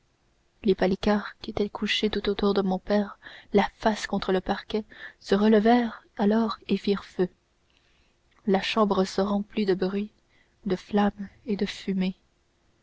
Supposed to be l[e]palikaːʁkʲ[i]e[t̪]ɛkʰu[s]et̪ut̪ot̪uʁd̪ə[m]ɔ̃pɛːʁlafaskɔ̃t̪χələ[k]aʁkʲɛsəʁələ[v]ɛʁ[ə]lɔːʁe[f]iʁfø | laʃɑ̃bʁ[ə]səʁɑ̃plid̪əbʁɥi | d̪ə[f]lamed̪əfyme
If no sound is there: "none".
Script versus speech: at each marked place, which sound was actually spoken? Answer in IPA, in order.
e, i, t̪, ʃ, m, p, v, a, f, ə, f

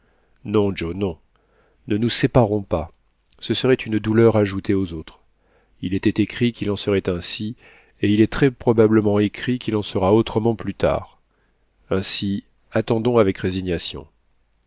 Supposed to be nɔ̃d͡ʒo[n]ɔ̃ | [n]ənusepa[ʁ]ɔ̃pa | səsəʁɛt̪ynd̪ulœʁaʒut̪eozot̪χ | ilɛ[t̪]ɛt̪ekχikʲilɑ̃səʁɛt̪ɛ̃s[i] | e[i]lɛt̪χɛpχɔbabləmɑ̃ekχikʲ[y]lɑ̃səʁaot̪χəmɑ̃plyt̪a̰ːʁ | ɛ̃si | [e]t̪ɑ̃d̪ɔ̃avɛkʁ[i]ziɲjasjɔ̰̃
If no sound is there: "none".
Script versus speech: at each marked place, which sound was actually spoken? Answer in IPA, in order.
n, n, ʁ, t̪, i, i, i, a, e

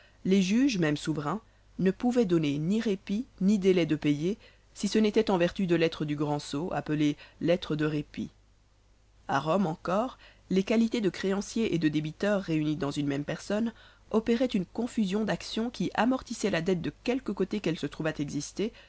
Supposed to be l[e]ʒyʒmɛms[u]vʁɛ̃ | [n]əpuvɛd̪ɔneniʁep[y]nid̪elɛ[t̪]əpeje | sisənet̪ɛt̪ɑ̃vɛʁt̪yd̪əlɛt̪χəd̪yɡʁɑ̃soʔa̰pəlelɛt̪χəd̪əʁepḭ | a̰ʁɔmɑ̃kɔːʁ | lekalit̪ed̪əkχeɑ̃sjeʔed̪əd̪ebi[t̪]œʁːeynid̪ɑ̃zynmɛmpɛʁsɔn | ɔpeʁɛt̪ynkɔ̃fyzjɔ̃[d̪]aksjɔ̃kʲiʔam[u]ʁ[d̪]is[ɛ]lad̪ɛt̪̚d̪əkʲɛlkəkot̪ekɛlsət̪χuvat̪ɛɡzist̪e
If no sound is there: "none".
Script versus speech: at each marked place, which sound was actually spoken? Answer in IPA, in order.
e, u, n, i, d̪, t̪, d̪, ɔ, t̪, ɛ

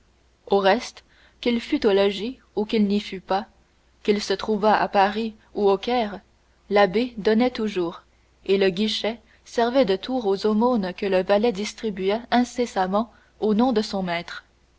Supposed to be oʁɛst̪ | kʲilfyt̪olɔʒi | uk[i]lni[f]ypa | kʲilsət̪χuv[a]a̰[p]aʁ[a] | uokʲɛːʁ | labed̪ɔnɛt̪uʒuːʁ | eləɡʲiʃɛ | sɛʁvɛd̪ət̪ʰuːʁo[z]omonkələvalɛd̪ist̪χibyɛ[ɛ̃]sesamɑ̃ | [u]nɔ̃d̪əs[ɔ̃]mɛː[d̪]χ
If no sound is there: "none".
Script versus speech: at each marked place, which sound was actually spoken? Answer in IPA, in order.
i, f, a, p, i, z, ɛ̃, o, ɔ̃, t̪

